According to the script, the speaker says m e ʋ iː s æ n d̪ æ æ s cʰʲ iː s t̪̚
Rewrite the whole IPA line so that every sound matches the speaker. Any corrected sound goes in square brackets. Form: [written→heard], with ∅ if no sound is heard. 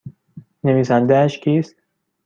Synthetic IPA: [m→n] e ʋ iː s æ n d̪ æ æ [s→ʃ] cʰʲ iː s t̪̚